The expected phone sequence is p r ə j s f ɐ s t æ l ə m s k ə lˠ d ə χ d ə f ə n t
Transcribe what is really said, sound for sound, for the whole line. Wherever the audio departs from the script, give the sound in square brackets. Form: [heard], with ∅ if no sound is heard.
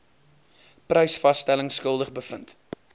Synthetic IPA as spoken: p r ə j s f ɐ s t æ l ə [ŋ] s k ə lˠ d ə χ [b] ə f ə n t